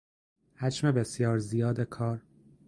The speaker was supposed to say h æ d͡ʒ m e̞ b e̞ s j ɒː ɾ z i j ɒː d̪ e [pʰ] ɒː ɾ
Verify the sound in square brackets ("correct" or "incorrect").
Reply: incorrect